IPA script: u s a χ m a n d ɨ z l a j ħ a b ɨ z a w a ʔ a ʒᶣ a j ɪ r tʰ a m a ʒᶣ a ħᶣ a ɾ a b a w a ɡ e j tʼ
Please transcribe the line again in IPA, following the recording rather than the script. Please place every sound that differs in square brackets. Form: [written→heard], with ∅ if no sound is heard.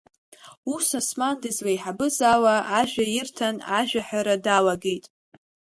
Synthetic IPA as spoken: u s a [χ→s] m a n d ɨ z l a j ħ a b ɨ z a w a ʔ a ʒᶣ a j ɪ r tʰ a [m→n] a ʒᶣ a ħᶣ a ɾ a [b→d] a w a ɡ e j tʼ